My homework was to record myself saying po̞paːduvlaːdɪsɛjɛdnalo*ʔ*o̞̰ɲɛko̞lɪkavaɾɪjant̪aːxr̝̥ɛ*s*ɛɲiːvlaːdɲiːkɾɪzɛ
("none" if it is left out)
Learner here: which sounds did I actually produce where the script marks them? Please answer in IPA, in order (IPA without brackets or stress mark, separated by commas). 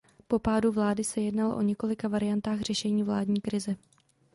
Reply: ʔ, ʃ